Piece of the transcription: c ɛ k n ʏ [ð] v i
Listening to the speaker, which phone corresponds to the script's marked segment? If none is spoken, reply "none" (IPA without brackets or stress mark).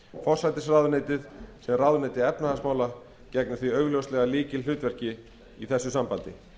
θ